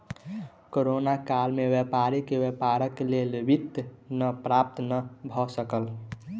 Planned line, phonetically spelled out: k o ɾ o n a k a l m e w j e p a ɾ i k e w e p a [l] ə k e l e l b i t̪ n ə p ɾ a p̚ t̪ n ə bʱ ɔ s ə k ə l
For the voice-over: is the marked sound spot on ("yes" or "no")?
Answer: no